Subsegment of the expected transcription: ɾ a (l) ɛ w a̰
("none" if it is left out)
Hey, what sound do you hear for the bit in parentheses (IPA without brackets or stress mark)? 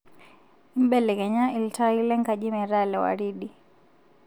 l